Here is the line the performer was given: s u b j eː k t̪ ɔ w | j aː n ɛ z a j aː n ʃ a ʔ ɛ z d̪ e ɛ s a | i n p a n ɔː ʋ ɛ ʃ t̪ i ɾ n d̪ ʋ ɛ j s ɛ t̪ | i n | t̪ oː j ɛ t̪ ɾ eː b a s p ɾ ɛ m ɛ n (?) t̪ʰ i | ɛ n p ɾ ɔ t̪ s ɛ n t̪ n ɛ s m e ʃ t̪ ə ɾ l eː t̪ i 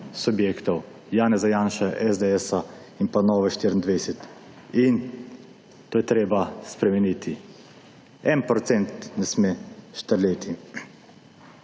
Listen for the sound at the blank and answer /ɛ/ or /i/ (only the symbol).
i